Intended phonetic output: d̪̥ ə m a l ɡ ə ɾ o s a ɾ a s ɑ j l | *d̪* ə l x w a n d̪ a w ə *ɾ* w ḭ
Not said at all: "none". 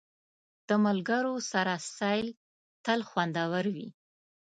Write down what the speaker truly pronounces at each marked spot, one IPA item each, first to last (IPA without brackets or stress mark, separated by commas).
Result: t̪, ɾ